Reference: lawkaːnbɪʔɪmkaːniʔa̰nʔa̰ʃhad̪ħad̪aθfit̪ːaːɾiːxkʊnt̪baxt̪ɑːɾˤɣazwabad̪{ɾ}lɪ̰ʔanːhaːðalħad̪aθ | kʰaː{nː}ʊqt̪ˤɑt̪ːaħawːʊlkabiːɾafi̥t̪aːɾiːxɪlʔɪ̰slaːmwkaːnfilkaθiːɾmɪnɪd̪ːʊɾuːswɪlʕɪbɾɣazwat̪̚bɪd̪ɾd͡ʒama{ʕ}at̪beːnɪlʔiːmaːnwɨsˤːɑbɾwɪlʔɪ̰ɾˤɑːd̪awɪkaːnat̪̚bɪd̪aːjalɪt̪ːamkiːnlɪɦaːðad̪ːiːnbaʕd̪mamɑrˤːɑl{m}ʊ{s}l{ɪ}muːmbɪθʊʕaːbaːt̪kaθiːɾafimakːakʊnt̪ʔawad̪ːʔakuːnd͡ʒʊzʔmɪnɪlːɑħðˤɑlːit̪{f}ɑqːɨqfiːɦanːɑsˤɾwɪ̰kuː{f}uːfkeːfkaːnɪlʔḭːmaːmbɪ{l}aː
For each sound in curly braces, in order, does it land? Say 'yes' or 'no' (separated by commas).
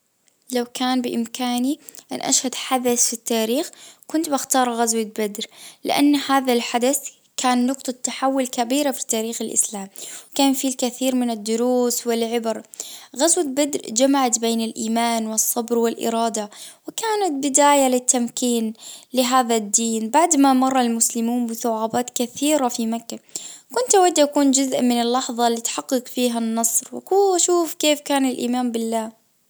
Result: yes, yes, yes, yes, yes, yes, no, no, no